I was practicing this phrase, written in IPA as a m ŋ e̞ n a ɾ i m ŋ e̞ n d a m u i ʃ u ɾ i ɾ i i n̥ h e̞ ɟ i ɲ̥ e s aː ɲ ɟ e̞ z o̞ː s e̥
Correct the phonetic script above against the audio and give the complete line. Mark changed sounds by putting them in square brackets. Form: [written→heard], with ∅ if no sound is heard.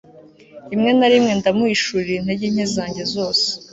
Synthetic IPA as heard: [a→i] m ŋ e̞ n a ɾ i m ŋ e̞ n d a m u i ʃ u ɾ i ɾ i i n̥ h e̞ ɟ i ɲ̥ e [s→z] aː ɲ ɟ e̞ z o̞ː s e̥